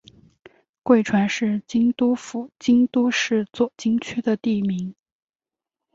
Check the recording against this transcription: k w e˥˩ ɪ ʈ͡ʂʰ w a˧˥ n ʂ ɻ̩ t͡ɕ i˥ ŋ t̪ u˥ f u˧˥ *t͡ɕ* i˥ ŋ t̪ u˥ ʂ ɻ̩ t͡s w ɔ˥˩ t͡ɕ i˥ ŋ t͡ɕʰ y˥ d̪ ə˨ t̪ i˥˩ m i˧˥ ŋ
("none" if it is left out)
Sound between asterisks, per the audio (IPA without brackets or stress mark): t͡ɕ